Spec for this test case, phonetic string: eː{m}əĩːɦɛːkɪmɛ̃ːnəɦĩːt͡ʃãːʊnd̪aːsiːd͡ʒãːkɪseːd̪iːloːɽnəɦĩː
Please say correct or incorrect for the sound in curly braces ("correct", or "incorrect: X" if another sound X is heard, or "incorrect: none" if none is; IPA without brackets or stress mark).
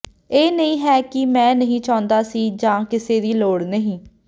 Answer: incorrect: n